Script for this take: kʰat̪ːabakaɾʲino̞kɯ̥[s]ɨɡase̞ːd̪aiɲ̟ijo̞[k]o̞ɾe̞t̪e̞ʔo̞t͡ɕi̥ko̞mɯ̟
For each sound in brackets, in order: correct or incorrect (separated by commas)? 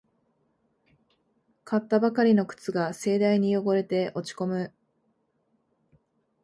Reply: incorrect, incorrect